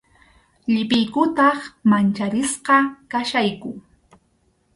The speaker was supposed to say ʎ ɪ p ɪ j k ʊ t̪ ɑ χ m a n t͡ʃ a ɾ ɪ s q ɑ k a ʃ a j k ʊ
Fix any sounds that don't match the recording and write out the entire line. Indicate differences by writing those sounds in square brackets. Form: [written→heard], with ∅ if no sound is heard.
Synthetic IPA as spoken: ʎ ɪ p ɪ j k ʊ t̪ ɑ χ m a n t͡ʃ a ɾ ɪ s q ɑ k a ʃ a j k ʊ